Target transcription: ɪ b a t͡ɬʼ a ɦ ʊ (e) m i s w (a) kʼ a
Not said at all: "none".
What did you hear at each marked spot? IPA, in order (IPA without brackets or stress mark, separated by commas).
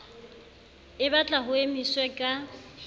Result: e, ɛ